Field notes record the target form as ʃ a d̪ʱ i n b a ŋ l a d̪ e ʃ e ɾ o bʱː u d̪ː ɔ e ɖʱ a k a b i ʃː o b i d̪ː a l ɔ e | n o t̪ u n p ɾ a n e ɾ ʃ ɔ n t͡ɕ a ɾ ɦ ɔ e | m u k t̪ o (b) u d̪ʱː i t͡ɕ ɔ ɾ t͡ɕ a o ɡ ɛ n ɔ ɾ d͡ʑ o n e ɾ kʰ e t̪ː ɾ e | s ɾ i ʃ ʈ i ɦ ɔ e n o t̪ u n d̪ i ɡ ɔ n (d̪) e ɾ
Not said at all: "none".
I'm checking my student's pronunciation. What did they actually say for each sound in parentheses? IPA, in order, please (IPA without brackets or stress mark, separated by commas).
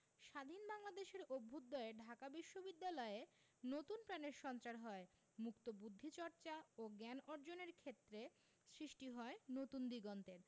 b, t̪